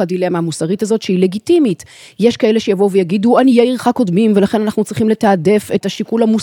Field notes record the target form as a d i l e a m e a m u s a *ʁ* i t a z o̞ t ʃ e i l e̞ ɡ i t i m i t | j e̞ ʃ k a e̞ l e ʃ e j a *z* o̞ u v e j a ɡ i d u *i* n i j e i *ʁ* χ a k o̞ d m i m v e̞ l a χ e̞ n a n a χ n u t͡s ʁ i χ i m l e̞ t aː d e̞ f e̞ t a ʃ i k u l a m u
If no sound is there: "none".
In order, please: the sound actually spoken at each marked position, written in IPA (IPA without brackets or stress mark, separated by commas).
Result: ʁ, v, a, ʁ